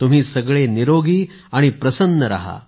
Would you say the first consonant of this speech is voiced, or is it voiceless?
voiceless